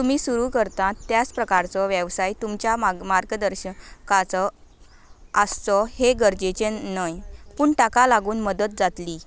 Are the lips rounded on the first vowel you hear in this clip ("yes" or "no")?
yes